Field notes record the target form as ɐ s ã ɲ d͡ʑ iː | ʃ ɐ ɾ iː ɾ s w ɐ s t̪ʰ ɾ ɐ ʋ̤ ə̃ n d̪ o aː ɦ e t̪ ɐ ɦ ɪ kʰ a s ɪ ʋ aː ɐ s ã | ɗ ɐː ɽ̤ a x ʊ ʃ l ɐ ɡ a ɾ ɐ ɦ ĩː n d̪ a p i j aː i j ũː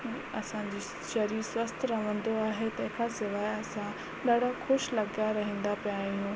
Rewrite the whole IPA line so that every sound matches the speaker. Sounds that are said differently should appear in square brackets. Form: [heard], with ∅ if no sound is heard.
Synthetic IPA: ɐ s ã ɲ d͡ʑ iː | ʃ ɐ ɾ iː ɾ s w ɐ s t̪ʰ ɾ ɐ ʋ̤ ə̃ n d̪ o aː ɦ e t̪ ɐ ɦ ɪ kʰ a s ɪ ʋ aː ɐ s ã | ɗ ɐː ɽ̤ a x ʊ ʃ l ɐ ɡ a ɾ ɐ ɦ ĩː n d̪ a p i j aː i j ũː

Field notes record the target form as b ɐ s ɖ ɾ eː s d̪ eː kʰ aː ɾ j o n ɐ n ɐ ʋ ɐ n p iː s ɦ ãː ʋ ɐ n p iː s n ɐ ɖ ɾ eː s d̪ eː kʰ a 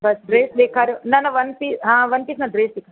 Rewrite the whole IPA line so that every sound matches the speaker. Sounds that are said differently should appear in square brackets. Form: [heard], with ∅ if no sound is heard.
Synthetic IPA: b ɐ s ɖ ɾ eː s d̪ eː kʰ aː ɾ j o n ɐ n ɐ ʋ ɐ n p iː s ɦ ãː ʋ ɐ n p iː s n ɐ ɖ ɾ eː s d̪ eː kʰ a

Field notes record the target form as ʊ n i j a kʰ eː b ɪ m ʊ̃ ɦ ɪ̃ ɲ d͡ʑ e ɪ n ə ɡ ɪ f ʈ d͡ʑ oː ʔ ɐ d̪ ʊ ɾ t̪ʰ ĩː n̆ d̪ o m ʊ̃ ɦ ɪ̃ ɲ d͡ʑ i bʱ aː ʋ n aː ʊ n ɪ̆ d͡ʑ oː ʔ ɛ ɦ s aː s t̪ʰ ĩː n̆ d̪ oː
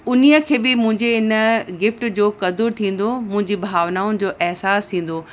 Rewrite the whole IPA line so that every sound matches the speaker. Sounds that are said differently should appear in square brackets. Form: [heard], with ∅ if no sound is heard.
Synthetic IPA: ʊ n i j [ə] kʰ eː b ɪ m ʊ̃ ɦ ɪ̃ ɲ d͡ʑ e ɪ n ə ɡ ɪ f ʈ d͡ʑ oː [k] ɐ d̪ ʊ ɾ t̪ʰ ĩː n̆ d̪ o m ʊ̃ ɦ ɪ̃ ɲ d͡ʑ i bʱ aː ʋ n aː ʊ n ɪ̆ d͡ʑ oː ʔ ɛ ɦ s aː s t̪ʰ ĩː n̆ d̪ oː

